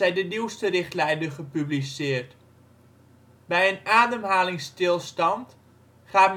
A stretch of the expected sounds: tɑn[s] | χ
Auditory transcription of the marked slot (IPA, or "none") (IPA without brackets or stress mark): t